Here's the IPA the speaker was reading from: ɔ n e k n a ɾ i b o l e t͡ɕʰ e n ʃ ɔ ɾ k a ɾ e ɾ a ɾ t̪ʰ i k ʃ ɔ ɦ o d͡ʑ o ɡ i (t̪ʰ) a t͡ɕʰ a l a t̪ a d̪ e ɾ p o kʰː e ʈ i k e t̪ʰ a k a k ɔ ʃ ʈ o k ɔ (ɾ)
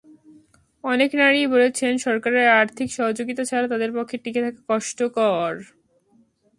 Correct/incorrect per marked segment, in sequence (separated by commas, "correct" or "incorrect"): incorrect, correct